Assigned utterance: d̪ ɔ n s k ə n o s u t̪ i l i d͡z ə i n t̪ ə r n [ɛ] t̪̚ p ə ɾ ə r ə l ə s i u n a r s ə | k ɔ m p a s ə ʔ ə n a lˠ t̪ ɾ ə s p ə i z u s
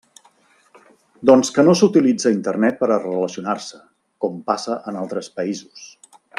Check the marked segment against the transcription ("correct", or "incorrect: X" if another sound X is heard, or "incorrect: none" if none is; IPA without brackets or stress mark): correct